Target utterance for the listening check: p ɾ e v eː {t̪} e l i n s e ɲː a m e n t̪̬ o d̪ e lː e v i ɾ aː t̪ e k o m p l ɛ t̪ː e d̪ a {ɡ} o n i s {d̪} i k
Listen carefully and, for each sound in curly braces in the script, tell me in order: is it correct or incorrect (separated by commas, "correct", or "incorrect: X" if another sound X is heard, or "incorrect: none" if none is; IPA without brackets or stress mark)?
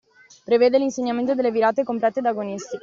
incorrect: d̪, correct, incorrect: t̪